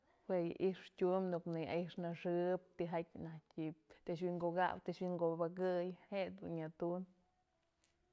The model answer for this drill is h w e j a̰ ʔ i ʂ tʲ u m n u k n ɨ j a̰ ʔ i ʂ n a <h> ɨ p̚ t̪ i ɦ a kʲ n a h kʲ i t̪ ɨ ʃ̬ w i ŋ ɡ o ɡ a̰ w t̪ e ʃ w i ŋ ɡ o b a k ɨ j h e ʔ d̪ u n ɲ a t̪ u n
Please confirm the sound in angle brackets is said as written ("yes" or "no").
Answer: no